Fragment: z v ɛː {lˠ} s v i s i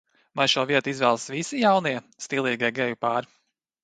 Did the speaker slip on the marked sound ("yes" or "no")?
no